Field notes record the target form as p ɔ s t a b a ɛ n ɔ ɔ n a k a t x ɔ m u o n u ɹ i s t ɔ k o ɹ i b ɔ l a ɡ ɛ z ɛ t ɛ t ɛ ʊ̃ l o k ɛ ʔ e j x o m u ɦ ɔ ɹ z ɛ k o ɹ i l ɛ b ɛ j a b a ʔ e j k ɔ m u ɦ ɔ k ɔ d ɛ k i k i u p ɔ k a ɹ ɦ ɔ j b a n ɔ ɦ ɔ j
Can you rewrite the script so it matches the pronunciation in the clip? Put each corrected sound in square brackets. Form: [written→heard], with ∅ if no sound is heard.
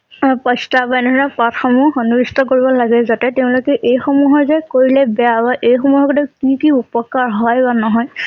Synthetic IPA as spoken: p ɔ s t a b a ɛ n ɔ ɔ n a [k→p] a t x ɔ m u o n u ɹ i s t ɔ k o ɹ i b ɔ l a ɡ ɛ z [ɛ→a] t ɛ t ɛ ʊ̃ l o k ɛ ʔ e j x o m u ɦ ɔ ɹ z ɛ k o ɹ i l ɛ b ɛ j a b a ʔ e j [k→x] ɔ m u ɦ ɔ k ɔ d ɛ k i k i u p ɔ k a ɹ ɦ ɔ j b a n ɔ ɦ ɔ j